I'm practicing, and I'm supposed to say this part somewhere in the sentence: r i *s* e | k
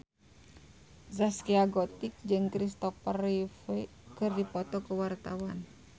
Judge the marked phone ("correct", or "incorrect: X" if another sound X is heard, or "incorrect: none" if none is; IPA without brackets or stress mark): incorrect: f